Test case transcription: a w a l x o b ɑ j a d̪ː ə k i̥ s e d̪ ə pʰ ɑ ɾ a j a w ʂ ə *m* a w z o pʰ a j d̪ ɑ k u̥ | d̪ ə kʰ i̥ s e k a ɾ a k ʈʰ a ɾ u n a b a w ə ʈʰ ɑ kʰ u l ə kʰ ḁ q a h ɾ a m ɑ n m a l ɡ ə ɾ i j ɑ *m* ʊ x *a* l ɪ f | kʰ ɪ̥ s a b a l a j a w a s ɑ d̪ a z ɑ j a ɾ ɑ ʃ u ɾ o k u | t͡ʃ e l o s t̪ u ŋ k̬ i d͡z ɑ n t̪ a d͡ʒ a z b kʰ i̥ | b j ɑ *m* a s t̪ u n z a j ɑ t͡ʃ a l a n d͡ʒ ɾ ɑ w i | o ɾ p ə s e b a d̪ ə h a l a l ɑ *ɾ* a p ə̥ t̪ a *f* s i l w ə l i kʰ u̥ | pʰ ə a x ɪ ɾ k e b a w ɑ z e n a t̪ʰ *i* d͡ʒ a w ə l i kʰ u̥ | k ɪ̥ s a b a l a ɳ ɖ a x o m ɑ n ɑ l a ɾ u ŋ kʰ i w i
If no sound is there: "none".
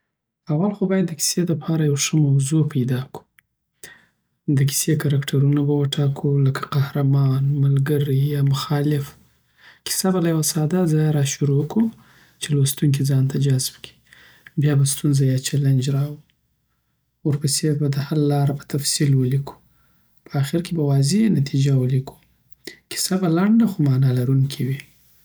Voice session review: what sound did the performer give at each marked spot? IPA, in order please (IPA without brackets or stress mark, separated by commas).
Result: m, m, ɑ, b, ɾ, f, i